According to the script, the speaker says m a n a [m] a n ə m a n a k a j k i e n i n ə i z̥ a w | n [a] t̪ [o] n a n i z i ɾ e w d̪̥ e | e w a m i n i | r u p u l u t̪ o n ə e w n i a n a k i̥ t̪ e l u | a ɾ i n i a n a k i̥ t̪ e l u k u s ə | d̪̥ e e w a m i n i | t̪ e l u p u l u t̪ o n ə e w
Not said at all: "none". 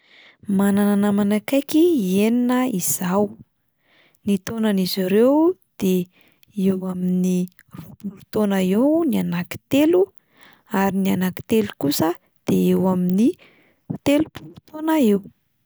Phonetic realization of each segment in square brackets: n, i, o

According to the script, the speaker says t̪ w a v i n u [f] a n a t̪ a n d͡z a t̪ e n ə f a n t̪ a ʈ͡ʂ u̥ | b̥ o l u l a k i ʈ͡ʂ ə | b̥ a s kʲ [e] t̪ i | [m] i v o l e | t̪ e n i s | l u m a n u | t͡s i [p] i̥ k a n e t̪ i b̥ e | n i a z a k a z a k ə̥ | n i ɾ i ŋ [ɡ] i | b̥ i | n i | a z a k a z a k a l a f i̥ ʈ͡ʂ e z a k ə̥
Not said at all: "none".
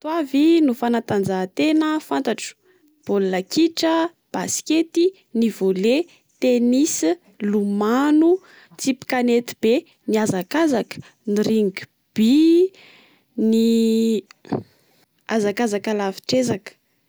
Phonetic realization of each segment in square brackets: f, e, n, p, ɡ

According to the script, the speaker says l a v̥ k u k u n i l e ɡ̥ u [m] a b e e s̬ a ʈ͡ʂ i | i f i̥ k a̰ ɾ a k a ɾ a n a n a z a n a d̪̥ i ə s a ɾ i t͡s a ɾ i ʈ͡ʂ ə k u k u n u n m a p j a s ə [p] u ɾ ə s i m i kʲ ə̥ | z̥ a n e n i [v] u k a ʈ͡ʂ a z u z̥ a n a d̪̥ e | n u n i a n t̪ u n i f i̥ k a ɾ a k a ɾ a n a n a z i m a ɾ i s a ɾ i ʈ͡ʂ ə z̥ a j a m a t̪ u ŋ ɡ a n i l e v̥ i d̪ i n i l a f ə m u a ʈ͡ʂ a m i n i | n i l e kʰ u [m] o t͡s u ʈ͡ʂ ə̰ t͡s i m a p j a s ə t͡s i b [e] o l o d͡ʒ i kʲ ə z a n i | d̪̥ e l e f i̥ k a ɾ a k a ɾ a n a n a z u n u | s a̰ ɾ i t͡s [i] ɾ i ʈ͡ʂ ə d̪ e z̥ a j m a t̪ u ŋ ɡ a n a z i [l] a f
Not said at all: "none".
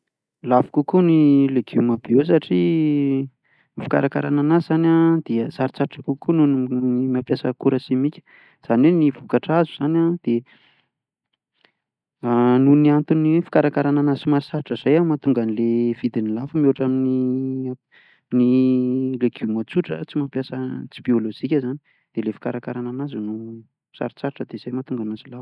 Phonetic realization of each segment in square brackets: m, k, v, m, i, a, l

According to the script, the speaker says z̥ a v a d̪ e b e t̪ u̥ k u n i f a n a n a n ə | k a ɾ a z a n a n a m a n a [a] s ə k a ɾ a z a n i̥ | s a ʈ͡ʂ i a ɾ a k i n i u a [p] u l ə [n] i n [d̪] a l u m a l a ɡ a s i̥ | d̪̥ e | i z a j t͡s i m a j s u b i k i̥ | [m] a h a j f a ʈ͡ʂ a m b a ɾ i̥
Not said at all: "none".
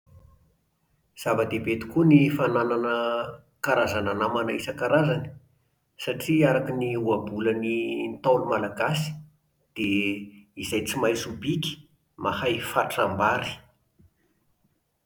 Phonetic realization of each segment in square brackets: i, b, n, t̪, m

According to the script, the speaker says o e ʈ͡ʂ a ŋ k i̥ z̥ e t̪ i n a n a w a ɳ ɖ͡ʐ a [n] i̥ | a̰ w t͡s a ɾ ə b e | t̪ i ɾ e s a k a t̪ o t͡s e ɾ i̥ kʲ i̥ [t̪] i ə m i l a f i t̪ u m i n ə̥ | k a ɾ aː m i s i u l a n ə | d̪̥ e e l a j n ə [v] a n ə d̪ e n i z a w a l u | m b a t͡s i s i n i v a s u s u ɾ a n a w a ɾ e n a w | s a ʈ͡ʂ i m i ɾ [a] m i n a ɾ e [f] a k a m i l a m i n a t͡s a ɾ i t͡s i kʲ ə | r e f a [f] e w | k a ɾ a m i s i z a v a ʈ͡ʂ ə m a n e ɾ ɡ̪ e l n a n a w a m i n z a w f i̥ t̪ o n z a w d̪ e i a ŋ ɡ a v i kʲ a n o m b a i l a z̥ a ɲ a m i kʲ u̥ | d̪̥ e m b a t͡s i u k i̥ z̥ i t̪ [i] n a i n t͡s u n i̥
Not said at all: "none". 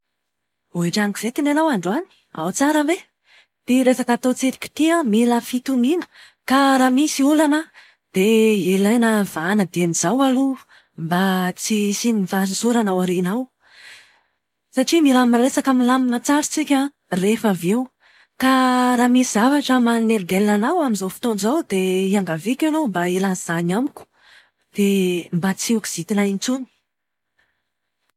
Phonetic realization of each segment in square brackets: n, t̪, v, a, s, v, i

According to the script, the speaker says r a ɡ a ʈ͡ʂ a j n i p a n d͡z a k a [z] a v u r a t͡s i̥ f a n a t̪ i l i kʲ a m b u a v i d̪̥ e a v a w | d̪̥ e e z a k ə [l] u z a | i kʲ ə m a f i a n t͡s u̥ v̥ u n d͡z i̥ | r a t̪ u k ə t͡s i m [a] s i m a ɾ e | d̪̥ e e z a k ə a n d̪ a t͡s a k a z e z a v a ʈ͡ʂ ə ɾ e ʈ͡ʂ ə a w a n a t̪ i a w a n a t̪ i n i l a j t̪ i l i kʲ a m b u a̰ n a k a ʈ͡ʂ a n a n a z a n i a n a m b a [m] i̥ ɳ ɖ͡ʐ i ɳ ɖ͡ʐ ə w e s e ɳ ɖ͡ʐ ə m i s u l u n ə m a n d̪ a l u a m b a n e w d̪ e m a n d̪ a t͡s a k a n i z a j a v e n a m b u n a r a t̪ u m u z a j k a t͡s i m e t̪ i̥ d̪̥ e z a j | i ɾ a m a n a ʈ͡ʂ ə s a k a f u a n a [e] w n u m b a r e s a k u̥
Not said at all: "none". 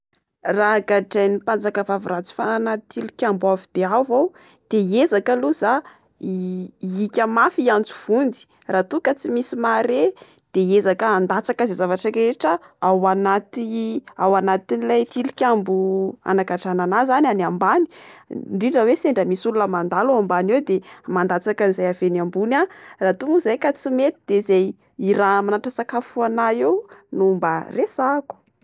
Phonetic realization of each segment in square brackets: v, l, i, n, e

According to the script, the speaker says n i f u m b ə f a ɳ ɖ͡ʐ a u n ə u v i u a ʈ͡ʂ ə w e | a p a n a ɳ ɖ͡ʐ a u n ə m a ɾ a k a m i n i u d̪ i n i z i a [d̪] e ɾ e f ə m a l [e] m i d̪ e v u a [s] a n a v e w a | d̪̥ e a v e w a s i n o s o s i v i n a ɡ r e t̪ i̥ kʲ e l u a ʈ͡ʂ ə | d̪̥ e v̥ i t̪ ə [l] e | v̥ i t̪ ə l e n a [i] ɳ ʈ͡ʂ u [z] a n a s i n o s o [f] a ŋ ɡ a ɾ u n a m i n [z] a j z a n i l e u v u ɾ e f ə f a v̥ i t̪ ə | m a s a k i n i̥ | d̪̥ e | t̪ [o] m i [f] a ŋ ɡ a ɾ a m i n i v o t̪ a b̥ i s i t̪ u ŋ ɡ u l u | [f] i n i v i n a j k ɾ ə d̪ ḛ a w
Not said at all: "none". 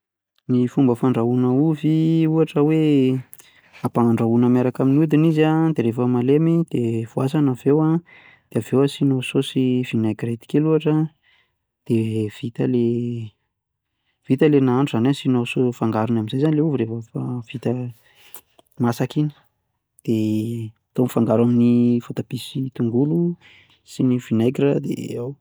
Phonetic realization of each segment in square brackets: d̪, e, s, l, a, z, f, z, o, f, s

